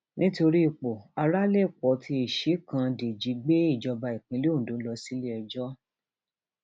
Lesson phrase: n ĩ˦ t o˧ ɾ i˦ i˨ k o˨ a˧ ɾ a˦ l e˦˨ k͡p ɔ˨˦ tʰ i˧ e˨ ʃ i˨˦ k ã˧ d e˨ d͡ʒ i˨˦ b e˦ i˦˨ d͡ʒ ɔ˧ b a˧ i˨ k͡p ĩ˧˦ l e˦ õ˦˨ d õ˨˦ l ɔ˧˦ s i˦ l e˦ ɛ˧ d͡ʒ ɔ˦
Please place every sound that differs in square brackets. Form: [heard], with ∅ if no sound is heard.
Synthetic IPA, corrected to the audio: n ĩ˦ t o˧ ɾ i˦ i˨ [k͡p] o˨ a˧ ɾ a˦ l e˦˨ k͡p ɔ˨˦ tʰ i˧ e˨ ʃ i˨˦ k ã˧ d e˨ d͡ʒ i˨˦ [ɡ͡b] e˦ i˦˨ d͡ʒ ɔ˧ b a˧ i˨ k͡p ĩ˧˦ l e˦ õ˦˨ d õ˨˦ l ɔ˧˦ s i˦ l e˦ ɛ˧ d͡ʒ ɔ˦